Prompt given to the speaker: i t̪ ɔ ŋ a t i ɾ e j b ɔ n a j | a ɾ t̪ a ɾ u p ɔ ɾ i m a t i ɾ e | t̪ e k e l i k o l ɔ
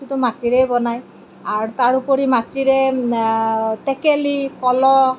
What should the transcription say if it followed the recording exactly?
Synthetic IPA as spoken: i t̪ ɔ m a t i ɾ e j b ɔ n a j | a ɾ t̪ a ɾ u p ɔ ɾ i m a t i ɾ e | t̪ e k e l i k ɔ l ɔ